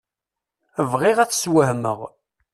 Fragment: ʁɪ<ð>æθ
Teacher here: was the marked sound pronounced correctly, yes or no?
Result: no